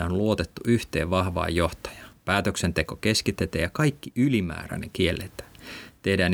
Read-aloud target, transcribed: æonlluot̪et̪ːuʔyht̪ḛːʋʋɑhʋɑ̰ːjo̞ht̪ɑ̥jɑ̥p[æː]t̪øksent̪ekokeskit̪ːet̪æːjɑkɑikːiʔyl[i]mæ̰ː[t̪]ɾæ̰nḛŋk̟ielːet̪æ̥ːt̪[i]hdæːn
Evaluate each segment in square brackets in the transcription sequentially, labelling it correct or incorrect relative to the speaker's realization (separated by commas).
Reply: correct, correct, incorrect, incorrect